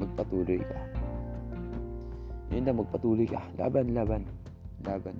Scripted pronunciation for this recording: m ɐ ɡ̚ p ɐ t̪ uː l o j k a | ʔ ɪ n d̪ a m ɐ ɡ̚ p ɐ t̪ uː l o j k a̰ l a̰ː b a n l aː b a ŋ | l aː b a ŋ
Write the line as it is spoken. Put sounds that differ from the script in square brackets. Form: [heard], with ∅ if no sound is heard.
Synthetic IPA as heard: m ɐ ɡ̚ p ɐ t̪ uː l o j k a | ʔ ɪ n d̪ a m ɐ ɡ̚ p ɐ t̪ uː l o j k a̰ l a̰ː b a n l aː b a [n] | l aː b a [n]